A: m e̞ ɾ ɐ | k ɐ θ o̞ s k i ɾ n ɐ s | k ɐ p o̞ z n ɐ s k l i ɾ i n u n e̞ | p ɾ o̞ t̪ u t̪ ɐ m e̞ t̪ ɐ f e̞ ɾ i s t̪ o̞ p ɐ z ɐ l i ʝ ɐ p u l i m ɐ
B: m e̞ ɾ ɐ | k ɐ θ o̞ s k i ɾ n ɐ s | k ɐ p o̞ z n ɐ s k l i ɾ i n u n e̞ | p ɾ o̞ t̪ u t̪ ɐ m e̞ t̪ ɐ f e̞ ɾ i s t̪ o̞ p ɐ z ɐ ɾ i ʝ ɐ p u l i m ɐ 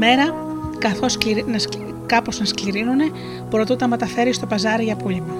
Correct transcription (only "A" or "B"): B